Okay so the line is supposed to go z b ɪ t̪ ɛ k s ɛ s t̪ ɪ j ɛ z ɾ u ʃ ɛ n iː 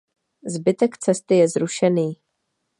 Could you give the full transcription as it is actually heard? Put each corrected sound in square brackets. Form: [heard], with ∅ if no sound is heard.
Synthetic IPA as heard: z b ɪ t̪ ɛ k [t͡s] ɛ s t̪ ɪ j ɛ z ɾ u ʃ ɛ n iː